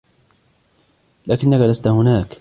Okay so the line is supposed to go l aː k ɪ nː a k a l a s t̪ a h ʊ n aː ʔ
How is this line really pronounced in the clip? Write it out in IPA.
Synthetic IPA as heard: l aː k ɪ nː a k a l a s t̪ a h ʊ n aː k